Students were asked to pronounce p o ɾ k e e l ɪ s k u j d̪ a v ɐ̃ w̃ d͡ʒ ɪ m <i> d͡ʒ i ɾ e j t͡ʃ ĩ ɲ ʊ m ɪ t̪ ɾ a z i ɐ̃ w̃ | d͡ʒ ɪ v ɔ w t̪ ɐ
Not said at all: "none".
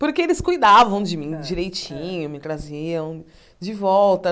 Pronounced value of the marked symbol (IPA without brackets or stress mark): ĩ